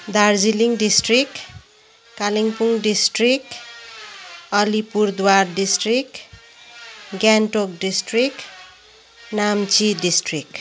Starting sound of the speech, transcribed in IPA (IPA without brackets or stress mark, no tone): d̪